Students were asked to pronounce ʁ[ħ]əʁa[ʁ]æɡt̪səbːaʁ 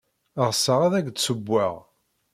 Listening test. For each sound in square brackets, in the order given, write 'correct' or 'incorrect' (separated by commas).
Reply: incorrect, incorrect